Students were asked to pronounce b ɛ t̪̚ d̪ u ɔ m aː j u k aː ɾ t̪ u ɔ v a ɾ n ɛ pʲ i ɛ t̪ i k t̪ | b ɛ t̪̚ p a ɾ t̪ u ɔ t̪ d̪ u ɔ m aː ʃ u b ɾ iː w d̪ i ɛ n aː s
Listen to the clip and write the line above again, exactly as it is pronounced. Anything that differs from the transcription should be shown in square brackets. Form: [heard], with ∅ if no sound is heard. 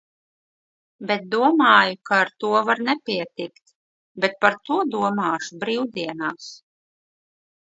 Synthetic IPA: b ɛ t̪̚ d̪ u ɔ m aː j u k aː ɾ t̪ u ɔ v a ɾ n ɛ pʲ i ɛ t̪ i k t̪ | b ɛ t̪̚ p a ɾ t̪ u ɔ [∅] d̪ u ɔ m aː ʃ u b ɾ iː w d̪ i ɛ n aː s